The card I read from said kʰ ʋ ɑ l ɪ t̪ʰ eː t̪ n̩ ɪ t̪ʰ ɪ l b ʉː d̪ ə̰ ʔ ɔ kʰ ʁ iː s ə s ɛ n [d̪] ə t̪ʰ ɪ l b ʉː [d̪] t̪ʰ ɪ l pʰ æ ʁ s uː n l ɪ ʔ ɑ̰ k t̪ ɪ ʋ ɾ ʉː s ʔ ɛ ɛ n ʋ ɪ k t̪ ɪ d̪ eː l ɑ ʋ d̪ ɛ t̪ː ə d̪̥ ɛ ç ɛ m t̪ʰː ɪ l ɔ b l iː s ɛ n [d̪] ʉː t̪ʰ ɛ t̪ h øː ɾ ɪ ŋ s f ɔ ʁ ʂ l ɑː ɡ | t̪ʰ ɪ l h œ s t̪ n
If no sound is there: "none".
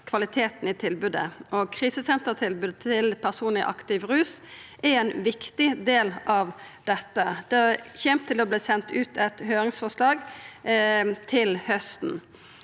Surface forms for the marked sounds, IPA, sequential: t̪, d̪, t̪

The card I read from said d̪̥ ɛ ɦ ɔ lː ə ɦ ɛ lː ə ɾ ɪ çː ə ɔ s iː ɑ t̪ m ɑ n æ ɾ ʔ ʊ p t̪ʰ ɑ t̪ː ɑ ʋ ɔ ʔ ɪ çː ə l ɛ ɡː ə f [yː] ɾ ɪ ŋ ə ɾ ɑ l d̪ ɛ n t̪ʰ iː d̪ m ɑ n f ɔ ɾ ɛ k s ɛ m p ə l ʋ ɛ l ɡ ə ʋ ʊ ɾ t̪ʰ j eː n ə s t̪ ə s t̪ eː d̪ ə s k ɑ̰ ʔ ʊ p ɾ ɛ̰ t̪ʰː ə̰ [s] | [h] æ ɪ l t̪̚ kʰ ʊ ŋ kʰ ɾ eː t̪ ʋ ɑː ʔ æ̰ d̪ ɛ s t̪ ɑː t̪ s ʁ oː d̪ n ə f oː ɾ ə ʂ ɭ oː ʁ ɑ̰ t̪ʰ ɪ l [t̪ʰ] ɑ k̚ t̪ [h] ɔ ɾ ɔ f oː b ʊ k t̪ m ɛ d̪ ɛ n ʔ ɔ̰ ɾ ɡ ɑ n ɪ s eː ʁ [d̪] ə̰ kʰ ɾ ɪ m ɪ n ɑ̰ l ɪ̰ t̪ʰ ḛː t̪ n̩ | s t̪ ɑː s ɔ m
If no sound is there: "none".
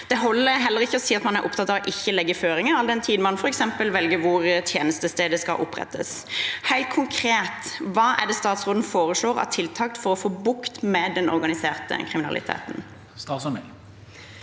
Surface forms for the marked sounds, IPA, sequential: øː, s, h, t̪ʰ, f, t̪

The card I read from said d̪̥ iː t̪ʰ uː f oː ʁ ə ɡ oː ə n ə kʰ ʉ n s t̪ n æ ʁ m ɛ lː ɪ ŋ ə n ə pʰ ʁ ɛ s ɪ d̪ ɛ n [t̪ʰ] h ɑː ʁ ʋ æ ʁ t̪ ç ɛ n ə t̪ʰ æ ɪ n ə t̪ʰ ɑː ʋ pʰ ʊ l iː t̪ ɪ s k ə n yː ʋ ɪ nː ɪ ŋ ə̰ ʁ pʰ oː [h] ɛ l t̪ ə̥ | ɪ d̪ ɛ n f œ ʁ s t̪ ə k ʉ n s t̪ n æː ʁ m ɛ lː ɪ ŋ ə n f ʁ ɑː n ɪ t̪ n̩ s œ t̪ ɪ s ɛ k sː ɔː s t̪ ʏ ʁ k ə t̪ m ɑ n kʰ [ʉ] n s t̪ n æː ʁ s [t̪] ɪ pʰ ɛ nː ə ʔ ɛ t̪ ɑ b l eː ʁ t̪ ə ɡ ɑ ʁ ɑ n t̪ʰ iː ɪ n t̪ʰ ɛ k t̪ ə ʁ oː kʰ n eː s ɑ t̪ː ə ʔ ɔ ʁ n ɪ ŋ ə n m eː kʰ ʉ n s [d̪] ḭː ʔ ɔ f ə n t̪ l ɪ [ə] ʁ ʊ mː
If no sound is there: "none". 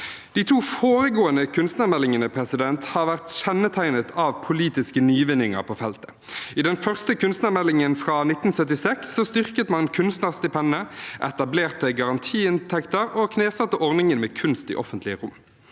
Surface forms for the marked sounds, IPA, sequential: t̪, f, ʉ, t̪, t̪, ə

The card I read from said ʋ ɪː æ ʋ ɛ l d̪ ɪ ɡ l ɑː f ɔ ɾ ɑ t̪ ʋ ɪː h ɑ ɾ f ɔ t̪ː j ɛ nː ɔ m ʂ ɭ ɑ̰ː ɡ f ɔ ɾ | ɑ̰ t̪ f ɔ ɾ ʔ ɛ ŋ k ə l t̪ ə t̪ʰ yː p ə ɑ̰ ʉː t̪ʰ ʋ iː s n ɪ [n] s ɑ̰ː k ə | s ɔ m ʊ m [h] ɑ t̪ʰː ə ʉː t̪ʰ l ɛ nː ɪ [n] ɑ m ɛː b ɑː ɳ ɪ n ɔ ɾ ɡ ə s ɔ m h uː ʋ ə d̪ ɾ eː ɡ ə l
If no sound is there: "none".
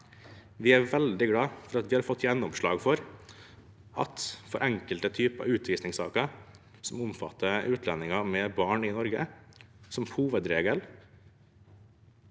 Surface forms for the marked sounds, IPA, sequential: ŋ, f, ŋ

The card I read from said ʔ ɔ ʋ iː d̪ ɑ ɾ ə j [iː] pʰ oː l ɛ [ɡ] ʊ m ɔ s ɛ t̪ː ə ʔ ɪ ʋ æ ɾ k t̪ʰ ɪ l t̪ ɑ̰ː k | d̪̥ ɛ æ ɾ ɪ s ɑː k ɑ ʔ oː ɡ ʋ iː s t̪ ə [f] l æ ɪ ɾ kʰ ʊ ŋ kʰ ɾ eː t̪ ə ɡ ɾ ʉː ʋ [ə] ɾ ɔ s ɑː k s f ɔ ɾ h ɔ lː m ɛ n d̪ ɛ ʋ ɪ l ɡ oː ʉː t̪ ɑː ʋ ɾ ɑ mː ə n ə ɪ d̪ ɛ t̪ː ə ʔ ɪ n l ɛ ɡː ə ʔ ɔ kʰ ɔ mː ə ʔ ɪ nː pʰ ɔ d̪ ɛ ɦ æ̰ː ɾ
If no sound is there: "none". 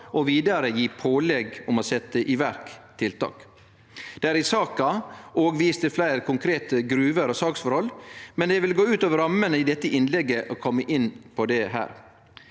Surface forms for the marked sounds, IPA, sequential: iː, ɡ, f, ə

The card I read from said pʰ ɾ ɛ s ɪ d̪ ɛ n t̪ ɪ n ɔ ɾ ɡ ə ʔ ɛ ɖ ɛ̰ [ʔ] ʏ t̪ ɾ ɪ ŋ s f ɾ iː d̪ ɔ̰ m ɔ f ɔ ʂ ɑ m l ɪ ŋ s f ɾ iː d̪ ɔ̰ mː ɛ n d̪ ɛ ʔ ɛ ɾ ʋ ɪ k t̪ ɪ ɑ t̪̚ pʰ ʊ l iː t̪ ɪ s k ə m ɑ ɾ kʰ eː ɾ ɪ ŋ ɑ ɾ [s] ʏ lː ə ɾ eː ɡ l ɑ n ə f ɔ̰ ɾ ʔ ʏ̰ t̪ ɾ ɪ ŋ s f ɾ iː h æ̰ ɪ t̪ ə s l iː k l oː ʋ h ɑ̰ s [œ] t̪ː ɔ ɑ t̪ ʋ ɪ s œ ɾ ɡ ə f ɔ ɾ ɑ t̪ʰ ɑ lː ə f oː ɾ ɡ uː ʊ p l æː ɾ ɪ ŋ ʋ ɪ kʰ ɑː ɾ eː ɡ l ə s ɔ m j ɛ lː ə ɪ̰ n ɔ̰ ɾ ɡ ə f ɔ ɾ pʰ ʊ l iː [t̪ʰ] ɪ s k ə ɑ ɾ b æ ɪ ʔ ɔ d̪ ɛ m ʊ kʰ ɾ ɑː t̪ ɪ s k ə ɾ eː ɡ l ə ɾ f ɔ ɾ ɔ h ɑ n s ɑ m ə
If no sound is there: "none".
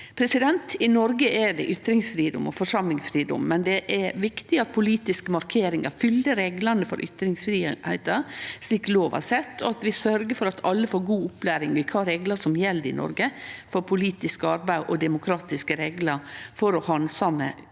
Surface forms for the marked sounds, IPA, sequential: ʔ, f, ɛ, t̪

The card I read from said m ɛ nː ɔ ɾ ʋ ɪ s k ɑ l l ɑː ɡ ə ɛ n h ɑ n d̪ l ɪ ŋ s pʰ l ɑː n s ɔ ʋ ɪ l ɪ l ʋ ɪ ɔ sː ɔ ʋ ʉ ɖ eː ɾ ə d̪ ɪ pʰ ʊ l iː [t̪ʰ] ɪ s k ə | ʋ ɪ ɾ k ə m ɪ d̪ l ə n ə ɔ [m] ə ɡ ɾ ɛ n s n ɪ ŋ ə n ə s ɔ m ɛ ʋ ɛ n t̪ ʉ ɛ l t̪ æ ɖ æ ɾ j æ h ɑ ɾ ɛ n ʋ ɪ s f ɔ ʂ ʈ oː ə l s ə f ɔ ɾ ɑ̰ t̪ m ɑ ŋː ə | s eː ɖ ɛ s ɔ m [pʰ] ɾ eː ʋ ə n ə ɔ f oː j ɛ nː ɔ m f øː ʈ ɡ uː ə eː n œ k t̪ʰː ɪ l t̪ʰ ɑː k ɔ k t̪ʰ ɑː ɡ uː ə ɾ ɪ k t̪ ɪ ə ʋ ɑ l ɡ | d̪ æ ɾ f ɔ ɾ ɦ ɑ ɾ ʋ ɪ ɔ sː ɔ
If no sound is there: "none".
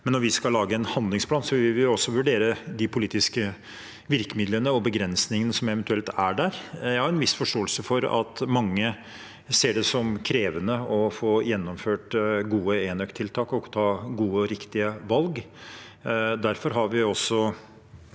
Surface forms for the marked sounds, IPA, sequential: t̪, b, kʰ

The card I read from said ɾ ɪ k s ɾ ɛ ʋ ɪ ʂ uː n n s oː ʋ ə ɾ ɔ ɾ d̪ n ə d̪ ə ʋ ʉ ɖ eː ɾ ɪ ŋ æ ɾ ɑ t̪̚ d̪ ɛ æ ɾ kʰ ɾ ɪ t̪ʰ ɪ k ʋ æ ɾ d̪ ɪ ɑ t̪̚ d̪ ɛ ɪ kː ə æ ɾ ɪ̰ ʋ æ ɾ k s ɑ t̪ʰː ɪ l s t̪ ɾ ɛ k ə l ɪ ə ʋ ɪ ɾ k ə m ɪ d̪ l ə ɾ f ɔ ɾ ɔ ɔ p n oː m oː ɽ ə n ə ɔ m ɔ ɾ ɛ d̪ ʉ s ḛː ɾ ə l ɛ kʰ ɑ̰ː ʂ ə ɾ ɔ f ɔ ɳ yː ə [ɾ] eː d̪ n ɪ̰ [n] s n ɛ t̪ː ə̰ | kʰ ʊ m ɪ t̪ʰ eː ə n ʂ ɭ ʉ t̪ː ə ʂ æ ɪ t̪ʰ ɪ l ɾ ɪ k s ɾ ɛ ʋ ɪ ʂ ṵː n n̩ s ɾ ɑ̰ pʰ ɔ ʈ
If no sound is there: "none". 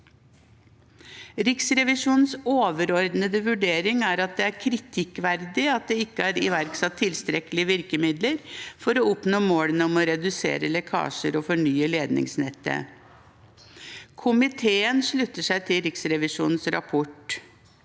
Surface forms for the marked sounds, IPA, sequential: l, ŋ

